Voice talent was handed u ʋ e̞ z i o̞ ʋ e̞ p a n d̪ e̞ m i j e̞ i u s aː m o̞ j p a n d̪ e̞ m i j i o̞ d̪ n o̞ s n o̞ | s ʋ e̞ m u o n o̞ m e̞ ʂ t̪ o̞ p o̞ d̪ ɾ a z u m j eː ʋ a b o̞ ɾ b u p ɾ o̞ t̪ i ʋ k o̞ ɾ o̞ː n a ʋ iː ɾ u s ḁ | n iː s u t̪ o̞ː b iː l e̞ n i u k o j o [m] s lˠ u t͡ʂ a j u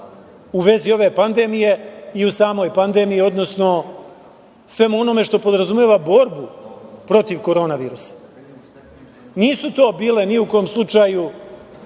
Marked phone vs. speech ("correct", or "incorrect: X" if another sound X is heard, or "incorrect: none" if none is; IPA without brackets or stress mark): correct